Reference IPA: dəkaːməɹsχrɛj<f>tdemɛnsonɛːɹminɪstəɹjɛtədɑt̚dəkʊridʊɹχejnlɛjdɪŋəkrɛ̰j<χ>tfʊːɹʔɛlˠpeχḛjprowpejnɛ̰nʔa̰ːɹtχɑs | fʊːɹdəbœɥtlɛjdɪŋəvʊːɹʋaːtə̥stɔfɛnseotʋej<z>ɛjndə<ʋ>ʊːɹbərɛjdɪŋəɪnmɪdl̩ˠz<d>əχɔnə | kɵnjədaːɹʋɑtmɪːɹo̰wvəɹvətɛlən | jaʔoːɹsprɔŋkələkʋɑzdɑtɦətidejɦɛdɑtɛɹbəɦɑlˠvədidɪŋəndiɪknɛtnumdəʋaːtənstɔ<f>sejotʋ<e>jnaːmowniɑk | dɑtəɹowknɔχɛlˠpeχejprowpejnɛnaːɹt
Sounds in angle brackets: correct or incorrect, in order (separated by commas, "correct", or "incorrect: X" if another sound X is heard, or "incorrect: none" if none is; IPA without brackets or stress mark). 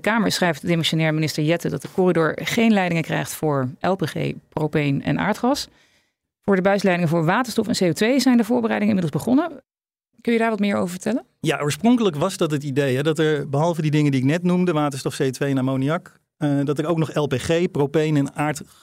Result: correct, correct, correct, incorrect: v, incorrect: b, correct, correct